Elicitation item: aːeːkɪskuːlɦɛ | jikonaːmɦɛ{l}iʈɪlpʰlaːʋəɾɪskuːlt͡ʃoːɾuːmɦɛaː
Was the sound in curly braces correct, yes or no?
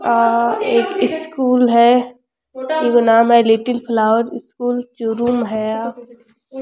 yes